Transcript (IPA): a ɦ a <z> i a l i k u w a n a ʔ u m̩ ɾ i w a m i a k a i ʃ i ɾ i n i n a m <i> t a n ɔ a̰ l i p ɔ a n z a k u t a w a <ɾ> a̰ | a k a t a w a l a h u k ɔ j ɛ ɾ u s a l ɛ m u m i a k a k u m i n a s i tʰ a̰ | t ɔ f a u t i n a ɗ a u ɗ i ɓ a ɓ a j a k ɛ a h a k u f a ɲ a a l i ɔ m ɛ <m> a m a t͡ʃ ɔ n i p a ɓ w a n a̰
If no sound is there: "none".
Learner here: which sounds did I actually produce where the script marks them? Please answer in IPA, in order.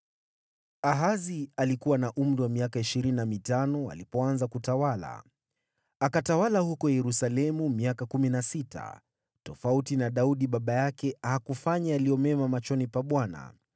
z, i, l, m

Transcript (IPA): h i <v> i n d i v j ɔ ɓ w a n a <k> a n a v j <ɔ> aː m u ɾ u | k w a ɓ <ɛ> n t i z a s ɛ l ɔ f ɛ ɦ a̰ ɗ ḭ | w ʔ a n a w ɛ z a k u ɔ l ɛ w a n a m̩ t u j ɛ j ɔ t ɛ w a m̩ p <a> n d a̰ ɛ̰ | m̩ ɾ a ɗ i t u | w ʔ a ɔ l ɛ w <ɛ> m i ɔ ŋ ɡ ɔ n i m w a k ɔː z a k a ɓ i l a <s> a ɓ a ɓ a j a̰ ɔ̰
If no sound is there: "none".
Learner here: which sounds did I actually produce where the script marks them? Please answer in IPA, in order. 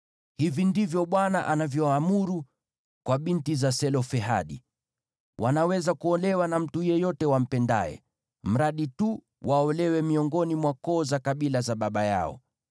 v, ʔ, ɔ, i, ɛ, ɛ, z

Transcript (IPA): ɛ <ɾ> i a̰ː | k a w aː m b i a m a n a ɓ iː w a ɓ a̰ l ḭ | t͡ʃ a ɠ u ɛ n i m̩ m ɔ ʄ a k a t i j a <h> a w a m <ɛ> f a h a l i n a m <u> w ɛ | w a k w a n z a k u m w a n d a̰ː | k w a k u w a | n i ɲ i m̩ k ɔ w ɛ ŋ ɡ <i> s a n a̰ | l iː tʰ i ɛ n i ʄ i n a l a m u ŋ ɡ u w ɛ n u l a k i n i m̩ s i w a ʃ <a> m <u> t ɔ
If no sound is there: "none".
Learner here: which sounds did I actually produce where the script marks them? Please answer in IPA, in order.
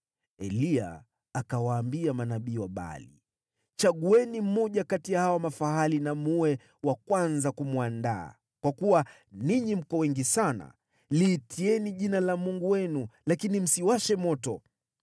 l, h, a, u, i, ɛ, ɔ

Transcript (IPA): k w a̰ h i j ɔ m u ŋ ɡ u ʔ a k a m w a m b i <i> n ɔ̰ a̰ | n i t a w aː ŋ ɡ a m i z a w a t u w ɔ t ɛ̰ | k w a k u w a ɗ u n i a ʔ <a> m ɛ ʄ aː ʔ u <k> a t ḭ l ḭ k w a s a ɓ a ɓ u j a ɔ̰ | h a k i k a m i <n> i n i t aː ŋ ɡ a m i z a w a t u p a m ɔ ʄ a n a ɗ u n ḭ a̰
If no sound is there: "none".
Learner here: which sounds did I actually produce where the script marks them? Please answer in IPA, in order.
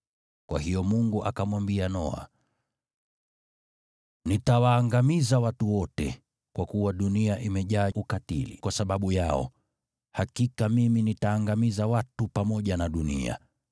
a, i, k, m

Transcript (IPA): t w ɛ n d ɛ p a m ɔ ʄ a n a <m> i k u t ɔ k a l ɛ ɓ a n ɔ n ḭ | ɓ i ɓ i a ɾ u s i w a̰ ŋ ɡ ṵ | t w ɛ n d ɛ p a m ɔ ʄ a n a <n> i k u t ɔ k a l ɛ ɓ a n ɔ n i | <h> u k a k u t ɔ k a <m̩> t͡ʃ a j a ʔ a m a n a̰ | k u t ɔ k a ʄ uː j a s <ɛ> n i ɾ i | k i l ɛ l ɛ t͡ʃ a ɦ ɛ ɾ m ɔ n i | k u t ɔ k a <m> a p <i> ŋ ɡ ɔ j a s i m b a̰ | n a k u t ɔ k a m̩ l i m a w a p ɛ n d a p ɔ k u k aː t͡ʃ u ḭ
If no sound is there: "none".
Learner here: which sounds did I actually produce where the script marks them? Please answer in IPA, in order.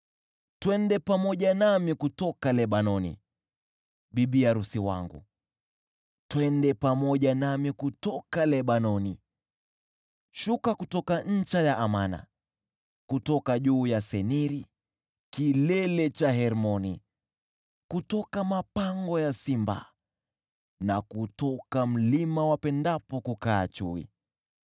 m, m, ʃ, ɲ̩, ɛ, m, a

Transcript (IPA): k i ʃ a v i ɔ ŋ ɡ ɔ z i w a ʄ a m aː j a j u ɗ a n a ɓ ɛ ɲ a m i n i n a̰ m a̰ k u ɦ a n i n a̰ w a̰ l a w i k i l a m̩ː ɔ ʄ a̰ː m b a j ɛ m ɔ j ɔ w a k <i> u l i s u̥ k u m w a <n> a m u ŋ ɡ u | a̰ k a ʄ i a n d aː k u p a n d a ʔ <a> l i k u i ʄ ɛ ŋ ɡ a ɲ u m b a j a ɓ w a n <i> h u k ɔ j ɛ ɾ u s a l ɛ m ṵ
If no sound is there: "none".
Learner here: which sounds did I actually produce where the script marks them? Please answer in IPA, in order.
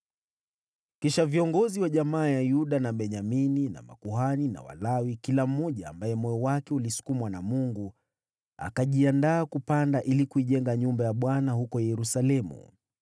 ɛ, n, i, a

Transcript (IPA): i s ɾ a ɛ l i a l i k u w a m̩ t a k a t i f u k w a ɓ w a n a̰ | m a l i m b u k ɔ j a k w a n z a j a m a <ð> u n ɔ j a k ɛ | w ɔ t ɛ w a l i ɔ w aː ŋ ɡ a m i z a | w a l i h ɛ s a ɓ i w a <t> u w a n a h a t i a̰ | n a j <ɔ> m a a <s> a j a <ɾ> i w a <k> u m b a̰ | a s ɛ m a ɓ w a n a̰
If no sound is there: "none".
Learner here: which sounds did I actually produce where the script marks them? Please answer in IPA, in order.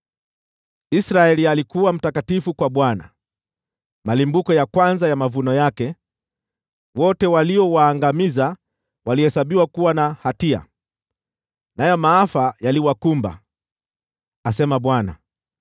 v, k, ɔ, f, l, k

